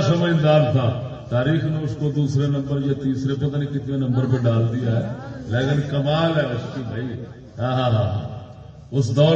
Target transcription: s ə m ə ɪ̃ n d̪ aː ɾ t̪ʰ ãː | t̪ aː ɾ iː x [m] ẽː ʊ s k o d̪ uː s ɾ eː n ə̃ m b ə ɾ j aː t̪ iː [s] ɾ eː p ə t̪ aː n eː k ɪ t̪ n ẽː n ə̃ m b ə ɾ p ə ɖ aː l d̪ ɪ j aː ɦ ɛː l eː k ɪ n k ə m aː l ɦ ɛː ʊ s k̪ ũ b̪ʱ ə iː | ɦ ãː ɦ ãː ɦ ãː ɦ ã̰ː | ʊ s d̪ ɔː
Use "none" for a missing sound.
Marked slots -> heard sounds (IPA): n, s

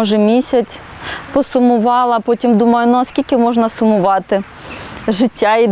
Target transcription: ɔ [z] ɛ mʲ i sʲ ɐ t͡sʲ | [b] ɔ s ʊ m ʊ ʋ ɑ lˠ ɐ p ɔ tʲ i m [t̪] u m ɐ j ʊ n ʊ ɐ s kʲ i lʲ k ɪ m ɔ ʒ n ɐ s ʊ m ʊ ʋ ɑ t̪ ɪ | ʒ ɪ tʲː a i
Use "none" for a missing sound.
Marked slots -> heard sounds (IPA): ʒ, p, d̪

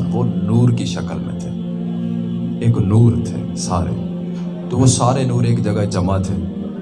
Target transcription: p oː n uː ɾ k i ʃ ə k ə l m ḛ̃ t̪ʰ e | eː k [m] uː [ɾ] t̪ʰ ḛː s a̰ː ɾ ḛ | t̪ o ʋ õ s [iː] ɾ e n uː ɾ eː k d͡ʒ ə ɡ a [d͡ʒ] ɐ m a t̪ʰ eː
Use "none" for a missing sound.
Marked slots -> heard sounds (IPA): n, ɾ, aː, d͡ʒ

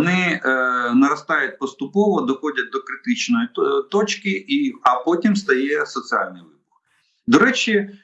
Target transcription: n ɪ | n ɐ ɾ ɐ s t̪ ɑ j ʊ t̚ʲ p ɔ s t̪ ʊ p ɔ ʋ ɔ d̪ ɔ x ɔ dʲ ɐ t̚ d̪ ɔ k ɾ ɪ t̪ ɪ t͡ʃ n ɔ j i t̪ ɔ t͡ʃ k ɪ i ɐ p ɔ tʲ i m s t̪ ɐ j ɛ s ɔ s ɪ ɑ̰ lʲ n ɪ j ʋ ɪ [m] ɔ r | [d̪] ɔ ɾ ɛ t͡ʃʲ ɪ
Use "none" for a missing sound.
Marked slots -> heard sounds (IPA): b, d̪

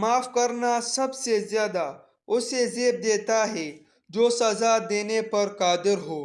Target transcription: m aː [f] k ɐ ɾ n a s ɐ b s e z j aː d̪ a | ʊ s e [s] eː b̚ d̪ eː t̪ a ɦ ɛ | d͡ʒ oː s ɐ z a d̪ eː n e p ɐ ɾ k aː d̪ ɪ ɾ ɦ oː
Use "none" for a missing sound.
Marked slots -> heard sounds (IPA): f, z

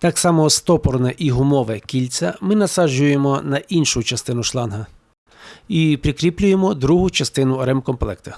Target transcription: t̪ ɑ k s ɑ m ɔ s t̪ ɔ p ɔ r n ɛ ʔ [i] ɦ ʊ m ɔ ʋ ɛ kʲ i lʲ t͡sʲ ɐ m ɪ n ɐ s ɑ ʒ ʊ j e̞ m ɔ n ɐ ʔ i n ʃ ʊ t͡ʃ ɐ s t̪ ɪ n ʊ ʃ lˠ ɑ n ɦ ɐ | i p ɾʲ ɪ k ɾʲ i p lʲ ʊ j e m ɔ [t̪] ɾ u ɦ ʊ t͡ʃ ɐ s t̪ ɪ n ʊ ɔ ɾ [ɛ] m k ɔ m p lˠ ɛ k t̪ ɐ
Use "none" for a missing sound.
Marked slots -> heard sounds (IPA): i, d̪, ɛ

